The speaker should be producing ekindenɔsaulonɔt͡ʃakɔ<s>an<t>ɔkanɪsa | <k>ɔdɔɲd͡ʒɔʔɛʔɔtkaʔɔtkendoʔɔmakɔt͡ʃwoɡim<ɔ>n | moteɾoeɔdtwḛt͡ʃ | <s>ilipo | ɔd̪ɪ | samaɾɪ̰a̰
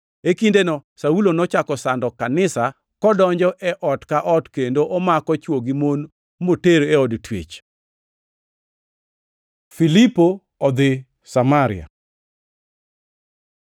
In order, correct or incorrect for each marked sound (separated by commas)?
correct, incorrect, correct, incorrect, incorrect